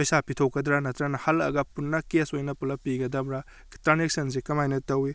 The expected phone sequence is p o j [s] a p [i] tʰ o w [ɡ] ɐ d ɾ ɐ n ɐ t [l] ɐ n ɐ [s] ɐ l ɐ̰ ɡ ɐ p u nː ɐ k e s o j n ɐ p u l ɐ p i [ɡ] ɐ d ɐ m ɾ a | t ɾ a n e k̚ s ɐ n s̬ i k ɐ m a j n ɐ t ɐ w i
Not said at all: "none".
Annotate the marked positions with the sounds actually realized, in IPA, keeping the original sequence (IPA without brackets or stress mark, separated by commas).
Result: s, i, k, ɾ, h, ɡ